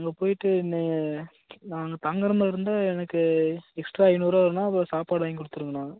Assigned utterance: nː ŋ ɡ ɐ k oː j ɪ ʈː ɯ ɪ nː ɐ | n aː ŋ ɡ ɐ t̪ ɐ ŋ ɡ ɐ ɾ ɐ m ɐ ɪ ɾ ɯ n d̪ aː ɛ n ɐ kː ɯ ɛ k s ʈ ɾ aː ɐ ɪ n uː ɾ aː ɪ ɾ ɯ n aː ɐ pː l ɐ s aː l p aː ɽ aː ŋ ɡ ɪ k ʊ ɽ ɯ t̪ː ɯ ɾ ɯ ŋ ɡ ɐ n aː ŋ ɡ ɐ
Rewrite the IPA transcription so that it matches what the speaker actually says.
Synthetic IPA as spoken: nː ŋ ɡ ɐ p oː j ɪ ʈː ɯ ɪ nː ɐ | n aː ŋ ɡ ɐ t̪ ɐ ŋ ɡ ɐ ɾ ɐ m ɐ ɪ ɾ ɯ n d̪ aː ɛ n ɐ kː ɯ ɛ k s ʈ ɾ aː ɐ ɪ n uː ɾ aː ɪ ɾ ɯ n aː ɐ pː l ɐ s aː p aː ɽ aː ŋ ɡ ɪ k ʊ ɽ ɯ t̪ː ɯ ɾ ɯ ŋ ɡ ɐ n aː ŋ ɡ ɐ